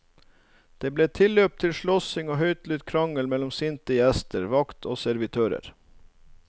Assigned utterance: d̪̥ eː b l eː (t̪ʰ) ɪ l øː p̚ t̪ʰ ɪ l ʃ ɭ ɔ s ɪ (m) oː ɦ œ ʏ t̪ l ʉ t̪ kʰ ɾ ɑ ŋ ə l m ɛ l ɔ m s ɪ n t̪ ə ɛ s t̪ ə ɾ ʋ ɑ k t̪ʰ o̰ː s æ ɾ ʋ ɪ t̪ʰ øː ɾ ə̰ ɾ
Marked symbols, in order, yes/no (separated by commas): yes, no